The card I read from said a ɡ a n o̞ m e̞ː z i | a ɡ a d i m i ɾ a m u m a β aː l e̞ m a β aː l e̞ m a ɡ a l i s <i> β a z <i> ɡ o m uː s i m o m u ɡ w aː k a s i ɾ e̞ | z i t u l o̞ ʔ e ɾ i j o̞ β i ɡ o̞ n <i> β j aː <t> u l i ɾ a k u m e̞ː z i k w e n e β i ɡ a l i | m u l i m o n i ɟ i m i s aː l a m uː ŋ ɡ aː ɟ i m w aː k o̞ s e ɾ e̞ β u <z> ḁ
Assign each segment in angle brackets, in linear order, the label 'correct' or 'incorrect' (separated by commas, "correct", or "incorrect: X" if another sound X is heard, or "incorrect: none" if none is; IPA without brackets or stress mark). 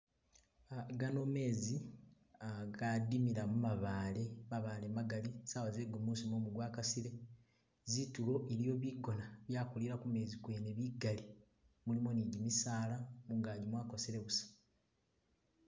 incorrect: a, incorrect: e, incorrect: a, incorrect: k, incorrect: s